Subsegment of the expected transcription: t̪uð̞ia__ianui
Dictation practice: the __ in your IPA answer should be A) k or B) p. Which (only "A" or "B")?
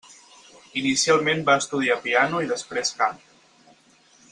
B